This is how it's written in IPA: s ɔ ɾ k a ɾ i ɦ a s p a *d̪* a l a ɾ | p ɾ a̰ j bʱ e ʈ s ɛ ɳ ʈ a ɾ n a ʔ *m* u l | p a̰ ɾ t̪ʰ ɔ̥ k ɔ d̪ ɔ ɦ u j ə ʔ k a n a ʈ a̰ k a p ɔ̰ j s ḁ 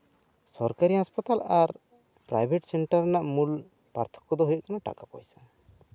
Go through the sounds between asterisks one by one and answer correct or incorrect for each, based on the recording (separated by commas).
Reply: incorrect, correct